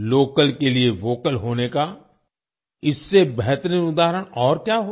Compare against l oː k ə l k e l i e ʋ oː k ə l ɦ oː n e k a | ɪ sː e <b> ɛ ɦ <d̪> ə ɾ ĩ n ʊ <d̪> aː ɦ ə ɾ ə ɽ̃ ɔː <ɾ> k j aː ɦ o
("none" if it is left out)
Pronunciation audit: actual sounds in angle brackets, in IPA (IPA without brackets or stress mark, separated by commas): b, t̪, d̪, ɾ